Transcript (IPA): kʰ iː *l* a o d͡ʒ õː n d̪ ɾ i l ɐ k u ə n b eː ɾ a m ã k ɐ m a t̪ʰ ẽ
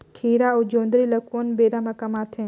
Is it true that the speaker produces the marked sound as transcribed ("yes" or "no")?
no